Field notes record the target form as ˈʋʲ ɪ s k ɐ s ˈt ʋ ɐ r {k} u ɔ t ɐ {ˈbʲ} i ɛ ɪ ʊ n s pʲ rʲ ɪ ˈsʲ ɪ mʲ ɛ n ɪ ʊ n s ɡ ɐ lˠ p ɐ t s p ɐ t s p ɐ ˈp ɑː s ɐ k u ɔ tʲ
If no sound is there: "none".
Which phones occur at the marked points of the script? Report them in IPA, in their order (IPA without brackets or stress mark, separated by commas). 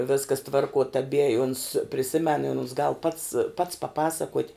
k, bʲ